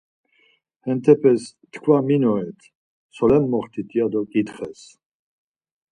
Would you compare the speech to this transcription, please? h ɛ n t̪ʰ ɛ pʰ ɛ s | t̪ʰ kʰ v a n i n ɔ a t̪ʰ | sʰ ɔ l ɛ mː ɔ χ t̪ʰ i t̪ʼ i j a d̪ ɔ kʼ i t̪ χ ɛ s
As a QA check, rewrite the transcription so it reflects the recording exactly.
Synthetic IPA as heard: h ɛ n t̪ʰ ɛ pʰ ɛ s | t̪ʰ kʰ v a m i n ɔ ɛ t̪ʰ | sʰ ɔ l ɛ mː ɔ χ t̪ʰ i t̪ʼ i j a d̪ ɔ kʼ i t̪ χ ɛ s